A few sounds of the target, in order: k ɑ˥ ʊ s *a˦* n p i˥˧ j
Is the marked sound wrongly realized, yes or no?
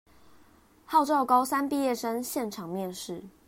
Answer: no